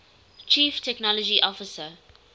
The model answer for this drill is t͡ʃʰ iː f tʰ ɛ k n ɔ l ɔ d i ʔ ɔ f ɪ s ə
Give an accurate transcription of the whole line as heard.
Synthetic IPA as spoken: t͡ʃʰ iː f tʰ ɛ k n ɔ l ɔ d͡ʒ i ʔ ɔ f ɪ s ə